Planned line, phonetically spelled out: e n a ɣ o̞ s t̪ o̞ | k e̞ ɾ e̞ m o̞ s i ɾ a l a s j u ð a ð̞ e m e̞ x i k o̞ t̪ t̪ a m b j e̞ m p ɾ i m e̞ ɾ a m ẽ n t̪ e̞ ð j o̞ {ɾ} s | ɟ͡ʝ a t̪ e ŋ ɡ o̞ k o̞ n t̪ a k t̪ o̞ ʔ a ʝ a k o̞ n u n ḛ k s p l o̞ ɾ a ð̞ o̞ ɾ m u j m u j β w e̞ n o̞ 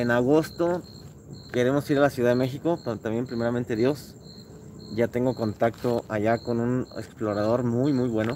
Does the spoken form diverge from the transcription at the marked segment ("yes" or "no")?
yes